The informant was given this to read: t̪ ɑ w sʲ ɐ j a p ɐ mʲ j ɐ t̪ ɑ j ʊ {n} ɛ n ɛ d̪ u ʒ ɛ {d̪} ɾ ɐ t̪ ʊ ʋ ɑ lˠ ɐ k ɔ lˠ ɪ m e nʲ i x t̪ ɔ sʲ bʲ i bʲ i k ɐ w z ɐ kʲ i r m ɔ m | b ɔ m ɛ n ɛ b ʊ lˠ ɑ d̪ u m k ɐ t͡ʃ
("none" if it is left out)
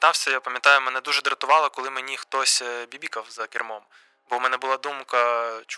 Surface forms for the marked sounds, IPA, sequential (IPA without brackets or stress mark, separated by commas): m, d̪